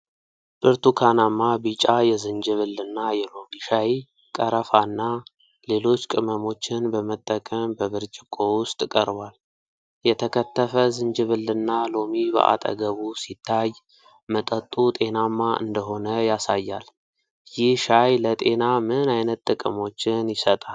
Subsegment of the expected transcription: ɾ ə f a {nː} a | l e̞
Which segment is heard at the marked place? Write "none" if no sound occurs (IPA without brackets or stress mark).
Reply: nː